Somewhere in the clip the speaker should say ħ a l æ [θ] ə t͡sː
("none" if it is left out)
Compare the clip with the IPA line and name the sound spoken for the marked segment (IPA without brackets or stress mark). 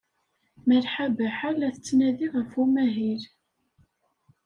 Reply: θ